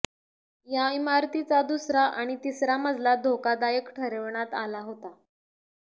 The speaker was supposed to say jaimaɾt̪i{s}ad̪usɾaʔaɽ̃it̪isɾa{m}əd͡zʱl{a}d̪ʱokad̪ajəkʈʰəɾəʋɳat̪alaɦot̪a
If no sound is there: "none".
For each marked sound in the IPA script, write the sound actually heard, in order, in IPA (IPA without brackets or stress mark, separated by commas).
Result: t͡s, m, a